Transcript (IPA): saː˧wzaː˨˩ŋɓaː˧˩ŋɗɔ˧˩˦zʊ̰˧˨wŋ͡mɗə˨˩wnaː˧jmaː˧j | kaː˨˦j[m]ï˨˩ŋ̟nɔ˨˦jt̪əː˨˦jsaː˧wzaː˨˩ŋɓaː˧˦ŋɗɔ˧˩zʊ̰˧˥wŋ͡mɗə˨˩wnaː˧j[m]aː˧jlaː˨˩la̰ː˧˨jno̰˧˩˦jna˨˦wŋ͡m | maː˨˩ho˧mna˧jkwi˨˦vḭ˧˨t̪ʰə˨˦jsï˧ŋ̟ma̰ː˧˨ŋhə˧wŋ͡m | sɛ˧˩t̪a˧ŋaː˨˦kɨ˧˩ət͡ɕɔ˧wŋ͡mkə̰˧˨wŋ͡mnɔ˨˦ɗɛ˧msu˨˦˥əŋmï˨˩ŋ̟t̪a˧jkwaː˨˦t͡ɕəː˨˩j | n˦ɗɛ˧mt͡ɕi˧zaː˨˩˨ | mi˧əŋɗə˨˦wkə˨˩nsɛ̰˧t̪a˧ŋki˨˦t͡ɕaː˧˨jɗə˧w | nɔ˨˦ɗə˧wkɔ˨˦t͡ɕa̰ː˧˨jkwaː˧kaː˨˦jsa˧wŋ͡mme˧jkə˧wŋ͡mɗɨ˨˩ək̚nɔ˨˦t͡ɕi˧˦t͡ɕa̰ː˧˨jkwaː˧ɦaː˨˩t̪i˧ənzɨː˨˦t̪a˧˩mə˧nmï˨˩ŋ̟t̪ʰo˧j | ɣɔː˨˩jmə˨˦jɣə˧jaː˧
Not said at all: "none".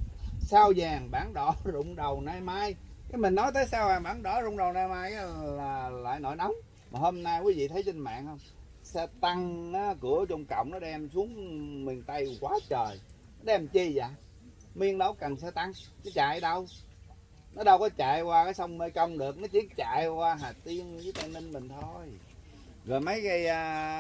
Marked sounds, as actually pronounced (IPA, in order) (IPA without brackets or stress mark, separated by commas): m, m